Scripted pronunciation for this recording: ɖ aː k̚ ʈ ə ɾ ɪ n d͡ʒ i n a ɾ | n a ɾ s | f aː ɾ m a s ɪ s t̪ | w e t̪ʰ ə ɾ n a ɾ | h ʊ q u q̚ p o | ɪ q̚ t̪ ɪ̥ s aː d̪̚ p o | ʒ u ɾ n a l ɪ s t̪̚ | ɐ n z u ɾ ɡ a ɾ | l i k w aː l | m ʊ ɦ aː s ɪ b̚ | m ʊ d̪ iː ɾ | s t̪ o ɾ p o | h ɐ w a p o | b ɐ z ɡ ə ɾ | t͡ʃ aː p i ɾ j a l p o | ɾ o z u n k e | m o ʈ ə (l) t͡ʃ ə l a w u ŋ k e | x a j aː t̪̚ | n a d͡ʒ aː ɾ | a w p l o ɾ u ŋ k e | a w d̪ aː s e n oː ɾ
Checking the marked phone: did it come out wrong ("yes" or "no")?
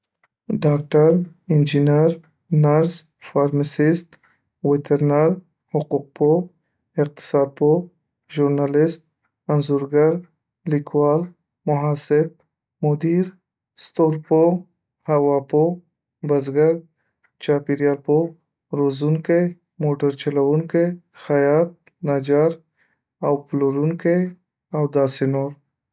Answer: yes